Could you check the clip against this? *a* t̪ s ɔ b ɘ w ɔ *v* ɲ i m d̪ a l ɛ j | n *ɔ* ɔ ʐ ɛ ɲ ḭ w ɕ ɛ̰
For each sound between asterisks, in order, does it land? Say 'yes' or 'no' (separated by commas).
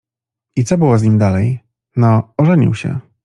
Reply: no, no, yes